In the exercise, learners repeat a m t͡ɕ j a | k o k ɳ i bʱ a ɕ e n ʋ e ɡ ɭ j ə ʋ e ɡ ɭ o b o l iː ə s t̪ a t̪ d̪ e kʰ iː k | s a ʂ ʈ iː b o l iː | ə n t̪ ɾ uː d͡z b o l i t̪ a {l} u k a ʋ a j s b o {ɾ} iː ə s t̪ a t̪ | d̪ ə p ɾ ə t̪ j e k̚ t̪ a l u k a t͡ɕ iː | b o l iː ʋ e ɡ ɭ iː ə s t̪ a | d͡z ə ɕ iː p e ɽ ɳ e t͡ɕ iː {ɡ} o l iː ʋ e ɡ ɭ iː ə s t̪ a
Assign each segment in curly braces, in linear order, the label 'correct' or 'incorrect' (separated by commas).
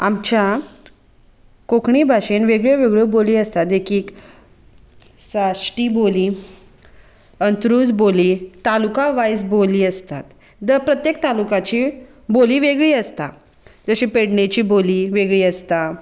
correct, incorrect, incorrect